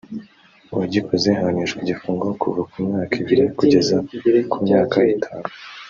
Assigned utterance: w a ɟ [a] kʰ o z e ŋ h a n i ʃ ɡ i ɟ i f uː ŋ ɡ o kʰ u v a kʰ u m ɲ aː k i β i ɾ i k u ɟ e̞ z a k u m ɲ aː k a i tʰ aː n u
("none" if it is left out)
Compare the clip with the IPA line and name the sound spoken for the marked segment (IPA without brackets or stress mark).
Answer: i